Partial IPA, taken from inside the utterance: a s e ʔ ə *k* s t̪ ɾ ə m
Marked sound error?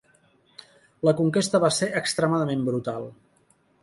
no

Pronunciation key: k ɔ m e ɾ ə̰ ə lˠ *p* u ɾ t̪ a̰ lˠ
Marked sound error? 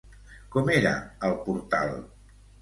no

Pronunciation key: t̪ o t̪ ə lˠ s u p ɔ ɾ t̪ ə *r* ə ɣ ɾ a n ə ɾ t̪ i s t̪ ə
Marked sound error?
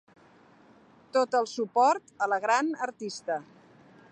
yes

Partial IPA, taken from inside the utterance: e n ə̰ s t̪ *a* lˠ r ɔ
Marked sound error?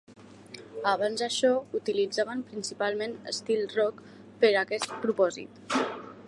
yes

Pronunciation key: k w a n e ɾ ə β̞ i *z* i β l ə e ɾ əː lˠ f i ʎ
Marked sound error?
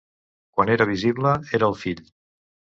no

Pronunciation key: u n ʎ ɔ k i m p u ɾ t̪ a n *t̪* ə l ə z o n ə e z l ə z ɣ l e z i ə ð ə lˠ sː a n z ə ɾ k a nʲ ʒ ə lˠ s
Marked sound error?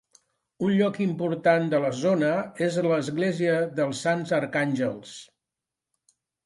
yes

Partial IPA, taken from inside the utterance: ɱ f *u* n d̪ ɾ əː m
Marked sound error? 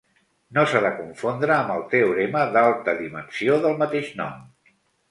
yes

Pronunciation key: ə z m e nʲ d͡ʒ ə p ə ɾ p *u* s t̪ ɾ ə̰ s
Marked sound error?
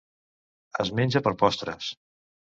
yes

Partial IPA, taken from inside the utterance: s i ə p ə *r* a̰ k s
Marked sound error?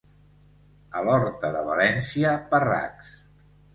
no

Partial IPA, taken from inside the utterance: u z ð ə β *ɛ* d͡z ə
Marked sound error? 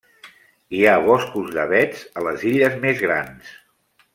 no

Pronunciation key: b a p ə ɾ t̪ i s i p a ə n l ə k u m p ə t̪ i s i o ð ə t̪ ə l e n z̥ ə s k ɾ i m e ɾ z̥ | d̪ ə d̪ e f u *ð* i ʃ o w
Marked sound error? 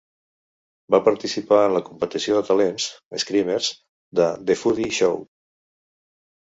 no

